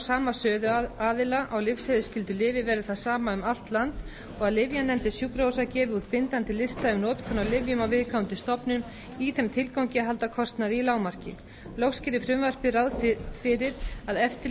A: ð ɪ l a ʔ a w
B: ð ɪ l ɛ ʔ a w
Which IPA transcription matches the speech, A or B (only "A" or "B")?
A